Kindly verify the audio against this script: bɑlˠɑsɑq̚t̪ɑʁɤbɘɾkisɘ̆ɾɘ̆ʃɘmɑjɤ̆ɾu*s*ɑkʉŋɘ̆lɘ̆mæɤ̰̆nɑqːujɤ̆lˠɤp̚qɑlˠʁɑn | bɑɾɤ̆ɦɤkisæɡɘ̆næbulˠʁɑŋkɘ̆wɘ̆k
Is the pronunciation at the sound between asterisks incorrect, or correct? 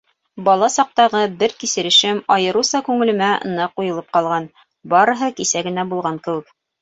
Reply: correct